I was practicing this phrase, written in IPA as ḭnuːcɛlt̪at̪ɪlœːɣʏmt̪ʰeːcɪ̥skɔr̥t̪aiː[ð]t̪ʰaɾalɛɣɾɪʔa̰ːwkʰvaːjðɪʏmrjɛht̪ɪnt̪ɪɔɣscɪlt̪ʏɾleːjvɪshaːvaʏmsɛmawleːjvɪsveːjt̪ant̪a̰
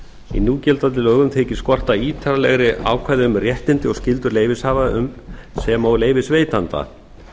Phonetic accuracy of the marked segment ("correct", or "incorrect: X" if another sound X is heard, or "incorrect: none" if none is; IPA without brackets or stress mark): incorrect: none